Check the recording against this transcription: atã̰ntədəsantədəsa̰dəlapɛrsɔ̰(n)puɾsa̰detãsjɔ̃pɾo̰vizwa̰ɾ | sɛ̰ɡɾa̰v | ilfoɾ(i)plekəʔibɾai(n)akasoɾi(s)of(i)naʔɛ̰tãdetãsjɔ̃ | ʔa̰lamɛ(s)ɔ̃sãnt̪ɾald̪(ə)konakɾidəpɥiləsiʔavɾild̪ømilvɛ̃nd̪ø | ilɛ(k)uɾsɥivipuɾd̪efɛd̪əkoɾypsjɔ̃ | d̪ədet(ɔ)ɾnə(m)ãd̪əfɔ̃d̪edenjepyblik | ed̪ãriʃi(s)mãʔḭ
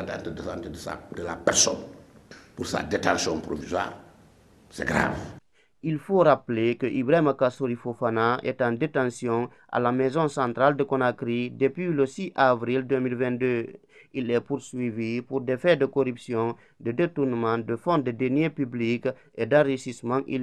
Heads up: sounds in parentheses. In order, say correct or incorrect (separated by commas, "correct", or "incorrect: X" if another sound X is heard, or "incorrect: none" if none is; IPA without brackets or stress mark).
correct, incorrect: a, incorrect: m, incorrect: f, incorrect: a, incorrect: z, correct, incorrect: p, incorrect: u, correct, correct